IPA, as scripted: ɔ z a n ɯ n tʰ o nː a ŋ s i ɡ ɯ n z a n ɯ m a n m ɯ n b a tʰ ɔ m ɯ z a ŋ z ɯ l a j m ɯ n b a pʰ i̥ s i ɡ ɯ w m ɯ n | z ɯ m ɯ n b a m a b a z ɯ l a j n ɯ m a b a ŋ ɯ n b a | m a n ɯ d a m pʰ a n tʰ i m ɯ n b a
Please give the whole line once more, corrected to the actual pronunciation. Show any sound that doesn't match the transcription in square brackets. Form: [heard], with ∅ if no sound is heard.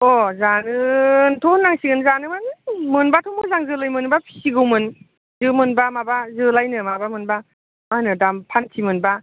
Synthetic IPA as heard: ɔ z a n ɯ n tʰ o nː a ŋ s i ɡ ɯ n z a n ɯ m a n m ɯ n b a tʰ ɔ m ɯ z a ŋ z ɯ l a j m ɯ n b a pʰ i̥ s i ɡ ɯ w m ɯ n | z ɯ m ɯ n b a m a b a z ɯ l a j n ɯ m a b a [m] ɯ n b a | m a n ɯ d a m pʰ a n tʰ i m ɯ n b a